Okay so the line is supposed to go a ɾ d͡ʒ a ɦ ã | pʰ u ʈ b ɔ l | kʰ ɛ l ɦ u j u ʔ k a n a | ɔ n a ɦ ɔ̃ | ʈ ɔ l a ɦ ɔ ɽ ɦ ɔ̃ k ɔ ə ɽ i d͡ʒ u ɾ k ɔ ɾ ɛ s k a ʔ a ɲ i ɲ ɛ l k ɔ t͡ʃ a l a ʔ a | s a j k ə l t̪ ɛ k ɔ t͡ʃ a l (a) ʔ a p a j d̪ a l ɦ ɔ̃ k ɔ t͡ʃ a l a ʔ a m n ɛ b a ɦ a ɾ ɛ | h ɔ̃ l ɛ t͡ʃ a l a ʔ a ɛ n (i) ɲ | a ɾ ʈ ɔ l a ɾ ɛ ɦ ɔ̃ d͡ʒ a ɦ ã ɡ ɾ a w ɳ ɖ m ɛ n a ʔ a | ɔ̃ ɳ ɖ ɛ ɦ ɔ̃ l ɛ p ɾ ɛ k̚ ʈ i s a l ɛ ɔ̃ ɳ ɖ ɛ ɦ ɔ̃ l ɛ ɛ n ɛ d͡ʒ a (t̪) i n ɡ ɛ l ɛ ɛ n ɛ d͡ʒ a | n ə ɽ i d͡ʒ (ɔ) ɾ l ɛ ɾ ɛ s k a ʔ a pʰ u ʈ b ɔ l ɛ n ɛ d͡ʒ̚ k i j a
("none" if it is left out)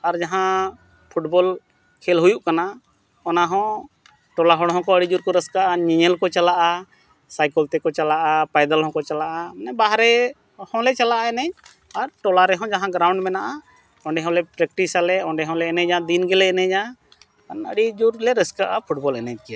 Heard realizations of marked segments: a, ɛ, d̪, u

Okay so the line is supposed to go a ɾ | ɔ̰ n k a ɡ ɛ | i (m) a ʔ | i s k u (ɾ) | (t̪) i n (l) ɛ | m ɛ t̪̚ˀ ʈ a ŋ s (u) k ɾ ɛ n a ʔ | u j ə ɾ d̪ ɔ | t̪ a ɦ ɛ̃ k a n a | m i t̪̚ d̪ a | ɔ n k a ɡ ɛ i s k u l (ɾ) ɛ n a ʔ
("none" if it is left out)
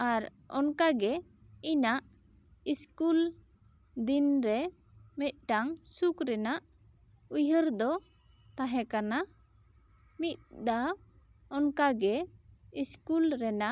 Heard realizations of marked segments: n, l, d̪, ɾ, u, ɾ

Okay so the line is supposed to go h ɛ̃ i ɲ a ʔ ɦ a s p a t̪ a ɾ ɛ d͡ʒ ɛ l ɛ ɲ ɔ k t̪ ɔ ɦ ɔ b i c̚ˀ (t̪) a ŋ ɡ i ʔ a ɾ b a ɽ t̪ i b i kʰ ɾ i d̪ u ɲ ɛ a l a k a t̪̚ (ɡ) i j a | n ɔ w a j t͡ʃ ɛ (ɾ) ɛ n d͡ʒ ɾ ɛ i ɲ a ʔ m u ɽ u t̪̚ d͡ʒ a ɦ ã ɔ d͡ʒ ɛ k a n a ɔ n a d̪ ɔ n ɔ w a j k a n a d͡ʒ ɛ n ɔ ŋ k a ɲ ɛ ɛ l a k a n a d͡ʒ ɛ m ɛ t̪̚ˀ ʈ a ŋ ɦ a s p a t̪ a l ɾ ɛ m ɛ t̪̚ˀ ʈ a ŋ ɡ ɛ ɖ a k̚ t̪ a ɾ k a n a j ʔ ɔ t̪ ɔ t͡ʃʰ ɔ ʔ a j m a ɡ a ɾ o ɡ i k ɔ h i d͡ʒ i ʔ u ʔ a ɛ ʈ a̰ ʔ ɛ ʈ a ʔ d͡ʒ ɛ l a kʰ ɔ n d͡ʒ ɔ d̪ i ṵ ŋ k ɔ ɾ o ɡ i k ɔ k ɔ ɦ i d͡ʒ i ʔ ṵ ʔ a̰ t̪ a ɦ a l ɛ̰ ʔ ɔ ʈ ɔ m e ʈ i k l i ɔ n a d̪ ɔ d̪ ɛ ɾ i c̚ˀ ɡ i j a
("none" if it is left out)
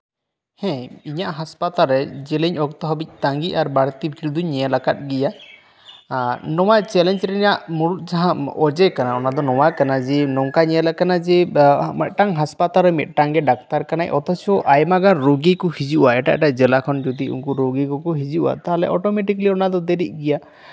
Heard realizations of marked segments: t̪, ɡ, l

